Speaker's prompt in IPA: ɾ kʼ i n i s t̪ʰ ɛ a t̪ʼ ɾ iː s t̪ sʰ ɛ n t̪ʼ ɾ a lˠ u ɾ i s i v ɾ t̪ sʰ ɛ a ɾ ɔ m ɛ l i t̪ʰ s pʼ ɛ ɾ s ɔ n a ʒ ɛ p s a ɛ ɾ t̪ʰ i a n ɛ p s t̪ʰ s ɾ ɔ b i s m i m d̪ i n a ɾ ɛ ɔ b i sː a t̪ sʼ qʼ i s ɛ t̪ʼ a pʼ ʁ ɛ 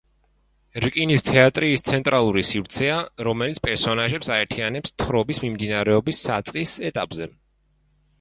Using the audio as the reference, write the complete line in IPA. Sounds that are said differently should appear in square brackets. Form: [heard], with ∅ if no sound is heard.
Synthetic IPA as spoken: ɾ kʼ i n i s t̪ʰ ɛ a t̪ʼ ɾ iː s t̪ sʰ ɛ n t̪ʼ ɾ a lˠ u ɾ i s i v ɾ t̪ sʰ ɛ a ɾ ɔ m ɛ l i [t̪] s pʼ ɛ ɾ s ɔ n a ʒ ɛ p s a ɛ ɾ t̪ʰ i a n ɛ p s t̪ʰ [χ] ɾ ɔ b i s m i m d̪ i n a ɾ ɛ ɔ b i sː a t̪ sʼ qʼ i s ɛ t̪ʼ a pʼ [z] ɛ